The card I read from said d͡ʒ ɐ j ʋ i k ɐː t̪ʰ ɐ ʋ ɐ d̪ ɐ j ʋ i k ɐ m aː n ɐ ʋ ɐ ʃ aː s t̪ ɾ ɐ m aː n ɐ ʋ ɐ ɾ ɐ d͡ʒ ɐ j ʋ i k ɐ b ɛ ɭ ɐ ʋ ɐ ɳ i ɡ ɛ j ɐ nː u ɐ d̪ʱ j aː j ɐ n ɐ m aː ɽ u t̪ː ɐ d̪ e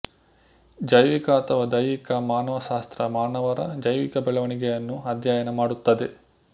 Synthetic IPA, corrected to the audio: d͡ʒ ɐ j ʋ i k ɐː t̪ʰ ɐ ʋ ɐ d̪ ɐ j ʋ i k ɐ m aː n ɐ ʋ ɐ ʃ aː s t̪ ɾ ɐ m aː n ɐ ʋ ɐ ɾ ɐ d͡ʒ ɐ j ʋ i k ɐ b ɛ ɭ ɐ ʋ ɐ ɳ i ɡ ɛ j ɐ nː u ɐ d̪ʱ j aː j ɐ n ɐ m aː ɽ u t̪ː ɐ d̪ e

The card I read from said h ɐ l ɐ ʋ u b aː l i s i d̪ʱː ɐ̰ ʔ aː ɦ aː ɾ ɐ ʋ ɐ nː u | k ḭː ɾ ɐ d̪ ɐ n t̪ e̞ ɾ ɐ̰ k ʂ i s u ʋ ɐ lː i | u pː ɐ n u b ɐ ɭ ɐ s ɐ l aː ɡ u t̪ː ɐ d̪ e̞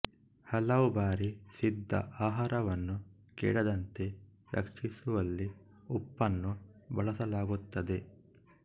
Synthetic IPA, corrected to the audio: h ɐ l ɐ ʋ u b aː ɾ i s i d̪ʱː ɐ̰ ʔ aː ɦ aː ɾ ɐ ʋ ɐ nː u | k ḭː ɽ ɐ d̪ ɐ n t̪ e̞ ɾ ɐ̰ k ʂ i s u ʋ ɐ lː i | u pː ɐ nː u b ɐ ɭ ɐ s ɐ l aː ɡ u t̪ː ɐ d̪ e̞

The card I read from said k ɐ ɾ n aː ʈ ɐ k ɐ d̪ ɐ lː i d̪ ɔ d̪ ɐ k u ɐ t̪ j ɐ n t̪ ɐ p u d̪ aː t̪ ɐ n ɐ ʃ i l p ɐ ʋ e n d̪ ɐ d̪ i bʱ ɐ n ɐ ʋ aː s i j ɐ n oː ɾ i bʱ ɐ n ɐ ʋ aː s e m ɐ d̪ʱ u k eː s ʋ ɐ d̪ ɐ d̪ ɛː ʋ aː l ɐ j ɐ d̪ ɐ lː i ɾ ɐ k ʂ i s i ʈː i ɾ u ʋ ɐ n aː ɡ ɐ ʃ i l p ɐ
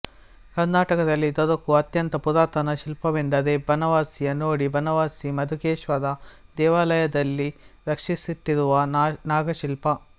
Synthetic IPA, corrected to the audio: k ɐ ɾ n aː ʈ ɐ k ɐ d̪ ɐ lː i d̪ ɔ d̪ ɐ k u ɐ t̪ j ɐ n t̪ ɐ p u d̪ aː t̪ ɐ n ɐ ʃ i l p ɐ ʋ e n d̪ ɐ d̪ e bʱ ɐ n ɐ ʋ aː s i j ɐ n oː ɽ i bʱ ɐ n ɐ ʋ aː s i m ɐ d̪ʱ u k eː ʃ ʋ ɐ d̪ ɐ d̪ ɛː ʋ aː l ɐ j ɐ d̪ ɐ lː i ɾ ɐ k ʂ i s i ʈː i ɾ u ʋ ɐ n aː ɡ ɐ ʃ i l p ɐ

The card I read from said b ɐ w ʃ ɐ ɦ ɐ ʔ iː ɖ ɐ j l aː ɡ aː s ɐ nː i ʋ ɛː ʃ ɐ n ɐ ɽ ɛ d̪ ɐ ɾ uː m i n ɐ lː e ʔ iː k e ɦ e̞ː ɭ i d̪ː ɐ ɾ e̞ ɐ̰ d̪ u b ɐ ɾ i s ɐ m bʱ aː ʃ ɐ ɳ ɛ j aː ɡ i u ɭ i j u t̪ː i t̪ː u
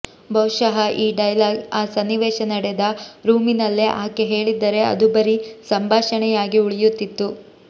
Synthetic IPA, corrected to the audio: b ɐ w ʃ ɐ ɦ ɐ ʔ iː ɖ ɐ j l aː ɡ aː s ɐ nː i ʋ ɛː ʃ ɐ n ɐ ɽ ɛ d̪ ɐ ɾ uː m i n ɐ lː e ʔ aː k e ɦ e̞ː ɭ i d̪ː ɐ ɾ e̞ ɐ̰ d̪ u b ɐ ɾ i s ɐ m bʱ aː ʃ ɐ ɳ ɛ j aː ɡ i u ɭ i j u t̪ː i t̪ː u

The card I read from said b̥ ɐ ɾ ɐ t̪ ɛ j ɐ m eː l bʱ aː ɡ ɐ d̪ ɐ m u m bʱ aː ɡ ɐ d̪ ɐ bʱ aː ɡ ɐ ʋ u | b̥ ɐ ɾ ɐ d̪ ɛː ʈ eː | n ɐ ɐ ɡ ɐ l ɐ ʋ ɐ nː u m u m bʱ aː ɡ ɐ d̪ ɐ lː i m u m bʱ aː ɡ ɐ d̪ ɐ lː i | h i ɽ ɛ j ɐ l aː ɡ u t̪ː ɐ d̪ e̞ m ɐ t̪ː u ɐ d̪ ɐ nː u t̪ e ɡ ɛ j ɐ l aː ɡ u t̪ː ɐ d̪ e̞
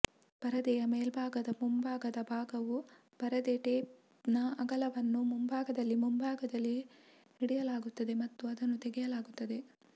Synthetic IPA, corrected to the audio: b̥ ɐ ɾ ɐ d̪ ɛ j ɐ m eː l bʱ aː ɡ ɐ d̪ ɐ m u m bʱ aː ɡ ɐ d̪ ɐ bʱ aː ɡ ɐ ʋ u | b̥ ɐ ɾ ɐ d̪ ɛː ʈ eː | n ɐ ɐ ɡ ɐ l ɐ ʋ ɐ nː u m u m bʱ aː ɡ ɐ d̪ ɐ lː i m u m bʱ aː ɡ ɐ d̪ ɐ lː i | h i ɽ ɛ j ɐ l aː ɡ u t̪ː ɐ d̪ e̞ m ɐ t̪ː u ɐ d̪ ɐ nː u t̪ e ɡ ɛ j ɐ l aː ɡ u t̪ː ɐ d̪ e̞

